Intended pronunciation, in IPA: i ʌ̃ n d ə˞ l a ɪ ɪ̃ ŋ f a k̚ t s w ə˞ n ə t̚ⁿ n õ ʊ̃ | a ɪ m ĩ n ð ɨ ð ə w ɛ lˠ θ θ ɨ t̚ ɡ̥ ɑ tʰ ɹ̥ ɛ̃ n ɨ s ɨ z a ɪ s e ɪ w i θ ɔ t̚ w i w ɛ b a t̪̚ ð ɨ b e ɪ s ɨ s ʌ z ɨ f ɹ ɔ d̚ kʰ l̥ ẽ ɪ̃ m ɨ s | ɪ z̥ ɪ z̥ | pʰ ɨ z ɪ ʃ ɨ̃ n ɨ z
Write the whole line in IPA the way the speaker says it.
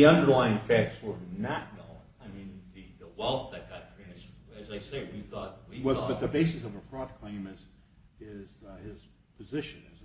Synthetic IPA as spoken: i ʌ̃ n d ə˞ l a ɪ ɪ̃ ŋ f æ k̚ t s w ə˞ n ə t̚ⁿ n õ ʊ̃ | a ɪ m ĩ n ð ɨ ð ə w ɛ lˠ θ ð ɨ t̚ ɡ̥ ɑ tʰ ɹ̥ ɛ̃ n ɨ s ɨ z a ɪ s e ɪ w i θ ɔ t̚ w i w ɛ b ʌ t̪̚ ð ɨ b e ɪ s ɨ s ʌ v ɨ f ɹ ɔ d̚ kʰ l̥ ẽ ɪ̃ m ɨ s | ɪ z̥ ɪ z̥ | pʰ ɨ z ɪ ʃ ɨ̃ n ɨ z